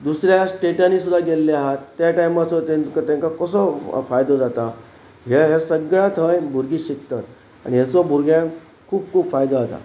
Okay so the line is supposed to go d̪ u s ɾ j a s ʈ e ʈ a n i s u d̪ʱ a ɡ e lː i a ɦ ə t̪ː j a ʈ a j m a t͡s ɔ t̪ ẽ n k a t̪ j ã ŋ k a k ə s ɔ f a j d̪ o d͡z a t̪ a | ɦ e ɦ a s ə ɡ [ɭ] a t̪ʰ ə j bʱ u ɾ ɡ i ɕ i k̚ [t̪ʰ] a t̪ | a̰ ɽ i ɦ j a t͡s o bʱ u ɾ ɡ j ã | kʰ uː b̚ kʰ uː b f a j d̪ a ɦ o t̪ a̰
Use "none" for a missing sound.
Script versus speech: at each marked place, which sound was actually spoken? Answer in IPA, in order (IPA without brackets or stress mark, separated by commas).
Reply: ɭ, t̪